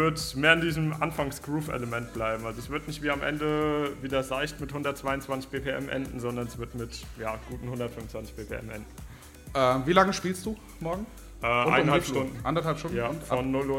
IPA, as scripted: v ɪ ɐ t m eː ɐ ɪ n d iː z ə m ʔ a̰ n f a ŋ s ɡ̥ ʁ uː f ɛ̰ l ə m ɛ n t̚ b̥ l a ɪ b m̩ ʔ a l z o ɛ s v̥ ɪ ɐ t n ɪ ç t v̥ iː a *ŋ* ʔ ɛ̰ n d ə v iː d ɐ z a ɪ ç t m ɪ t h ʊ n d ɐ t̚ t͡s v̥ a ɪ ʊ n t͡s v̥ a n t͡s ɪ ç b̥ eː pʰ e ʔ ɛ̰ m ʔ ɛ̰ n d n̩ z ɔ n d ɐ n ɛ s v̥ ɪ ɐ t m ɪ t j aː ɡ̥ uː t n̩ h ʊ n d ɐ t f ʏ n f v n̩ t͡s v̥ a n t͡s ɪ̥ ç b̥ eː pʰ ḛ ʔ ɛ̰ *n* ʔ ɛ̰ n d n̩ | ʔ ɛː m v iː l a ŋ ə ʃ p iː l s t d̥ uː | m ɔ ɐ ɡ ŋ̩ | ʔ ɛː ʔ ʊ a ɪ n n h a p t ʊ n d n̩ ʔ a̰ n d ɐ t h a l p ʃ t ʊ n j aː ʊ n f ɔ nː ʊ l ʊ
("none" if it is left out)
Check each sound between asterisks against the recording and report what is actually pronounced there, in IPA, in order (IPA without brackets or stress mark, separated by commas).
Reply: m, m